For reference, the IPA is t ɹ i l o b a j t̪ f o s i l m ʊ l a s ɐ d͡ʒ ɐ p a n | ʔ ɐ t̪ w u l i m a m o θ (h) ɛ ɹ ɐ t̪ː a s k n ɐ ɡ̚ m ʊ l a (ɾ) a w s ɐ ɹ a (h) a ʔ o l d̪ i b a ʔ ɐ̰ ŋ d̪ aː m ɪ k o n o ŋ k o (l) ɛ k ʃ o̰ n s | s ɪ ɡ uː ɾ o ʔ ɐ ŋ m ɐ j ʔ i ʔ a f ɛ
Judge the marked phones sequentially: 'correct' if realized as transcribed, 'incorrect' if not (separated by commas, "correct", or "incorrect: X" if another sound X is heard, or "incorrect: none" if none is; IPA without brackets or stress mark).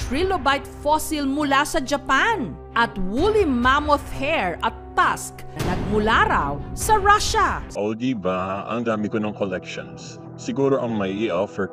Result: correct, correct, incorrect: ʃ, correct